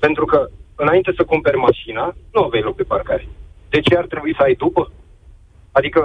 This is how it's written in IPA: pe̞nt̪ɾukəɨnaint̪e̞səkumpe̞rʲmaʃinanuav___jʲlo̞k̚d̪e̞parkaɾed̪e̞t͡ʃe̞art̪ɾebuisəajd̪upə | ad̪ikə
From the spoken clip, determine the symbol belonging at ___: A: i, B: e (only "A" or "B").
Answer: B